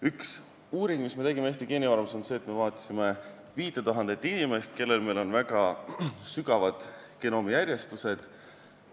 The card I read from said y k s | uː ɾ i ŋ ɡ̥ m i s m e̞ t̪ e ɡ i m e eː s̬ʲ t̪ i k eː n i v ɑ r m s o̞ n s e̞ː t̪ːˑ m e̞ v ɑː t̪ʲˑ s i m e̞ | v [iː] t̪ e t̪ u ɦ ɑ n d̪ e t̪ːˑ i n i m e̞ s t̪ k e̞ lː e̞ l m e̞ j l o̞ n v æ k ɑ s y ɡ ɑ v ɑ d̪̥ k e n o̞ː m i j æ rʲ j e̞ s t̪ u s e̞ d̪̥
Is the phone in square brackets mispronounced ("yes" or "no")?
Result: no